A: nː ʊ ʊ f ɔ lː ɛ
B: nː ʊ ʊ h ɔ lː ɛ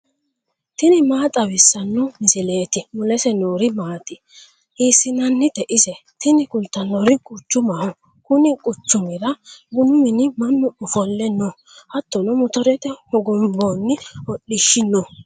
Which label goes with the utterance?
A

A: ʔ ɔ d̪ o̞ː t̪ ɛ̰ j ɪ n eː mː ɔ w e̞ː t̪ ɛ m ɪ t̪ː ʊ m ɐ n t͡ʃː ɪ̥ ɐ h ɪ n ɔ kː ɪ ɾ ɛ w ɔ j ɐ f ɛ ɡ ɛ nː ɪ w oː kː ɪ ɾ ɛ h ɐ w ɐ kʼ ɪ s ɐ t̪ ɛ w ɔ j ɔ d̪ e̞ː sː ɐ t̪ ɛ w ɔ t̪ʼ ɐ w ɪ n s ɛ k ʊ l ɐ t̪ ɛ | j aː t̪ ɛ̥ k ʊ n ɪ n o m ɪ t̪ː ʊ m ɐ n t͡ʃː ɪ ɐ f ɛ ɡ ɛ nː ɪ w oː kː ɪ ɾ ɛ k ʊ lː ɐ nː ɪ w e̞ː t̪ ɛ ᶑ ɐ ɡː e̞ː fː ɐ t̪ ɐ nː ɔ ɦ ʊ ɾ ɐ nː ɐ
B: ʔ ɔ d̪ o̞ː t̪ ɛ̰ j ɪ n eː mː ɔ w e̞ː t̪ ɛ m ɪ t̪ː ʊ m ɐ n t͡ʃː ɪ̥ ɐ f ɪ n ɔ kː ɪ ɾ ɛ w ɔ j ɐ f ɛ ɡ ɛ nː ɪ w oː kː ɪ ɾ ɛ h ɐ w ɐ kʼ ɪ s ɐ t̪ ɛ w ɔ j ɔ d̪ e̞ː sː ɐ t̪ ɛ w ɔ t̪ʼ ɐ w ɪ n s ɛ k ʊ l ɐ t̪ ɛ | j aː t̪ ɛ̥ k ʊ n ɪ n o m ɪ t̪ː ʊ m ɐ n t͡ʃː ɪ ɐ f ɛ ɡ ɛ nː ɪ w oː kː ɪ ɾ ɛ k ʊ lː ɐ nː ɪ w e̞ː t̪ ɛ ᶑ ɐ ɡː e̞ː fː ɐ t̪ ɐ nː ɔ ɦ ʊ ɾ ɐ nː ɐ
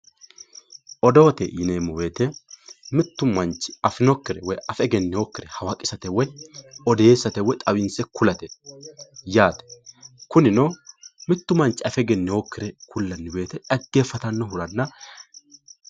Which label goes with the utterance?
B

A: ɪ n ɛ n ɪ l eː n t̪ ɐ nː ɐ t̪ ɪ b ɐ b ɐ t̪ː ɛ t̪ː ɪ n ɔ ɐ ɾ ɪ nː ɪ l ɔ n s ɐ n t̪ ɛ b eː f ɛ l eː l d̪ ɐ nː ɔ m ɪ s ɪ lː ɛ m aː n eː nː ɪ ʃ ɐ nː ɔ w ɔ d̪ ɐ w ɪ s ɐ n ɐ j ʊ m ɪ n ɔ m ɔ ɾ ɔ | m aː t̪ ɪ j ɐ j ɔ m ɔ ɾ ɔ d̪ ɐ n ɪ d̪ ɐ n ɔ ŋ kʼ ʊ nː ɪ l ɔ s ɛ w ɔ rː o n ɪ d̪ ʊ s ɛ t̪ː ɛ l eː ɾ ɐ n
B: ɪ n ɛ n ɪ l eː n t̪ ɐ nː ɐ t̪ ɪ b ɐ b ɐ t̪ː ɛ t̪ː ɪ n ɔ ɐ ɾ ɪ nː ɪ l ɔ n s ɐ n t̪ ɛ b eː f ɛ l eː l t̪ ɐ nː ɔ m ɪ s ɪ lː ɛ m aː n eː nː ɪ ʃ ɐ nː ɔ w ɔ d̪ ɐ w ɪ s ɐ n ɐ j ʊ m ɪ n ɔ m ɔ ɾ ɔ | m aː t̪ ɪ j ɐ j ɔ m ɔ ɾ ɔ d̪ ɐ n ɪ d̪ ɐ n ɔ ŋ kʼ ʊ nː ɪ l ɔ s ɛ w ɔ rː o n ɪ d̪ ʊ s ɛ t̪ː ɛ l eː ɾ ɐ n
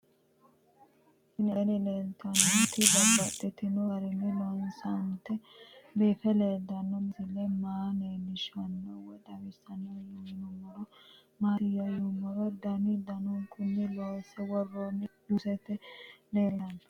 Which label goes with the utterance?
A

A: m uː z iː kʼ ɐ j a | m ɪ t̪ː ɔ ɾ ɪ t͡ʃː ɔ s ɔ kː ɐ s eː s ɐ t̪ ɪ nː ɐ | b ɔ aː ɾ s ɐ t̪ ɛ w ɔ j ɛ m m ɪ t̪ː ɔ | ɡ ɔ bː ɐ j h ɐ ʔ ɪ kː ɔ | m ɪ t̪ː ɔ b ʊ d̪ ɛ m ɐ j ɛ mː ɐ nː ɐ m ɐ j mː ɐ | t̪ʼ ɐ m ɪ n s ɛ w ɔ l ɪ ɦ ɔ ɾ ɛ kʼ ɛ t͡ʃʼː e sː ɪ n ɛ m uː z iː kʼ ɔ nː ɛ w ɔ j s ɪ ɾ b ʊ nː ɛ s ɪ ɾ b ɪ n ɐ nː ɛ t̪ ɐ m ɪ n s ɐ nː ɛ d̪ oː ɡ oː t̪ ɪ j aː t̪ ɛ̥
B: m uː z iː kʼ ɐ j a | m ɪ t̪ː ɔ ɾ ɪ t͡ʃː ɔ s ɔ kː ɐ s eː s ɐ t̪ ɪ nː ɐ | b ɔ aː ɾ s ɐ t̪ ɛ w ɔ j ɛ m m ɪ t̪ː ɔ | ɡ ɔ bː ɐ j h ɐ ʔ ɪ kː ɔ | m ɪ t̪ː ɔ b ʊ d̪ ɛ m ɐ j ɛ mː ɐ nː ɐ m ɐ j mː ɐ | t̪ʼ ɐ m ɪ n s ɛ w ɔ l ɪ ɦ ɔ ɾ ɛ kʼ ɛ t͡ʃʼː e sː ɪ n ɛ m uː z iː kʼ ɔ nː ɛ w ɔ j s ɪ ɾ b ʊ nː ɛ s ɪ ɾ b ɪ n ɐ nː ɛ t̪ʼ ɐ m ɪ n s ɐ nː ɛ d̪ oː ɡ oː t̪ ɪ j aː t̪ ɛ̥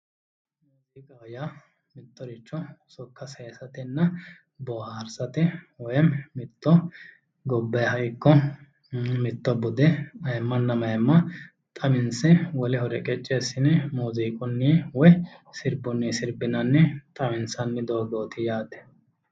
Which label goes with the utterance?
B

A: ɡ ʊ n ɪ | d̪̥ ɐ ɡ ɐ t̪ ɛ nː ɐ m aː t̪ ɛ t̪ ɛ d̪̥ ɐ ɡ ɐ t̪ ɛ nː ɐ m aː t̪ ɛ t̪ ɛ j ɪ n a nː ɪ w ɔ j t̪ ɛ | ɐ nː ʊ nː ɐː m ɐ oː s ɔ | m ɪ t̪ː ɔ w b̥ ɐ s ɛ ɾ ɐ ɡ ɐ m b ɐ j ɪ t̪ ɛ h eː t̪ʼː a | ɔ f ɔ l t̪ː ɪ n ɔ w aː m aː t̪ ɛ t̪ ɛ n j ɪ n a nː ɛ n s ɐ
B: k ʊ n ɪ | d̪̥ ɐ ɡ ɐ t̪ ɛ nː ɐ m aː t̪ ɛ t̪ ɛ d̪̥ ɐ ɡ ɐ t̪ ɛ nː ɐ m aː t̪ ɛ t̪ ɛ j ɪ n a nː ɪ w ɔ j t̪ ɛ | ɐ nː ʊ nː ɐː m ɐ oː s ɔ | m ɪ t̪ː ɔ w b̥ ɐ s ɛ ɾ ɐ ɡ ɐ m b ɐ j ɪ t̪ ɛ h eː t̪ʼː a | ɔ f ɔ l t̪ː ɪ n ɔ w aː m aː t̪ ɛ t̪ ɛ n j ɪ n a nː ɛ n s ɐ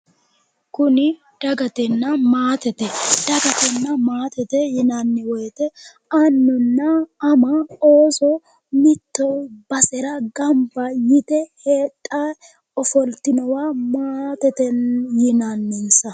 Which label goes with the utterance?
B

